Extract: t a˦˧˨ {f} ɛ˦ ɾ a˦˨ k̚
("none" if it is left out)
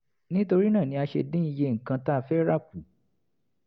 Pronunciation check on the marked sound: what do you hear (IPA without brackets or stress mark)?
f